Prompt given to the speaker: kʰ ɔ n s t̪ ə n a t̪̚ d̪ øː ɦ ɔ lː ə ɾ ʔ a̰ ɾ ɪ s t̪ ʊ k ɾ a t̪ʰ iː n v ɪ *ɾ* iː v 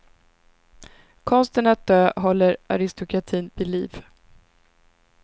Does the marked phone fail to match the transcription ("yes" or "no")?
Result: yes